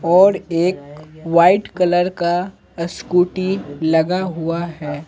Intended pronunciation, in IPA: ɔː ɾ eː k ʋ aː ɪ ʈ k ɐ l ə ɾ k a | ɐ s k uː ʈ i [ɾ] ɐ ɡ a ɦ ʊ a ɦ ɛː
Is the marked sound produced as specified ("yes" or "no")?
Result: no